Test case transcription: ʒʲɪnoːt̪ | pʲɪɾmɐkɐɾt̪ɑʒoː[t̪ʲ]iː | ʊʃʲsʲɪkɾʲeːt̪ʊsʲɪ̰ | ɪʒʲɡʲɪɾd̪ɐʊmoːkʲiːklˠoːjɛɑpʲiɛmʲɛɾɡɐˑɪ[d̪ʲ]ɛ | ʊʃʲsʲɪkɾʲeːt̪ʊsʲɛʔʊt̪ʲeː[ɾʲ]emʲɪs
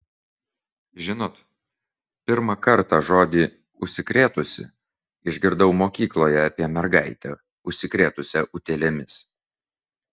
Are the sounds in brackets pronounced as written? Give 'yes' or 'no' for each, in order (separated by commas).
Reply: no, no, no